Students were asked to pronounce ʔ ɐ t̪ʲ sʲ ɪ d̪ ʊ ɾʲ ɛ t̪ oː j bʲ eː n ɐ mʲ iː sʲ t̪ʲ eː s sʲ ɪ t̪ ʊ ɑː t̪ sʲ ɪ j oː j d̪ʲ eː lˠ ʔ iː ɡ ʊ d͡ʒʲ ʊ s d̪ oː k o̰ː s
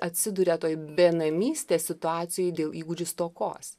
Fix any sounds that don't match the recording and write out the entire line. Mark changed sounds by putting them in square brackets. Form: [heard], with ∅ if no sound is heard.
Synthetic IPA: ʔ ɐ t̪ʲ sʲ ɪ d̪ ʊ ɾʲ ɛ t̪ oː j bʲ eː n ɐ mʲ iː sʲ t̪ʲ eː s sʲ ɪ t̪ ʊ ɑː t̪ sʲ ɪ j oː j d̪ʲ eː lˠ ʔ iː ɡ ʊ d͡ʒʲ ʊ s [t̪] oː k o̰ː s